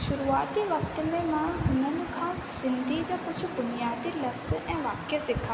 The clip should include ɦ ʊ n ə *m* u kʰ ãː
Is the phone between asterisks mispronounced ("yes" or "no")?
yes